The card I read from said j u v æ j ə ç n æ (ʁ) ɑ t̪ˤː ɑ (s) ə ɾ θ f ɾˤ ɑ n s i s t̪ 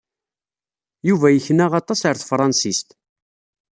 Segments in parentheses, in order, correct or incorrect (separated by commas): correct, correct